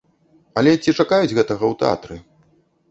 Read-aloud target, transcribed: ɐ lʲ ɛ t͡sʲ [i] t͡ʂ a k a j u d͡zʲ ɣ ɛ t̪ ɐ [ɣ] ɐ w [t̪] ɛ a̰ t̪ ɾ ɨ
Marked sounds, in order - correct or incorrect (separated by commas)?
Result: correct, correct, correct